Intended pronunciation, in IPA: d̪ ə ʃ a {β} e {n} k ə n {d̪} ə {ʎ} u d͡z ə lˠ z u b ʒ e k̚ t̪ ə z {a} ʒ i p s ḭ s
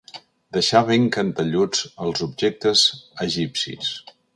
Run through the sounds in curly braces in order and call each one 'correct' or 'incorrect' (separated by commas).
correct, incorrect, incorrect, correct, incorrect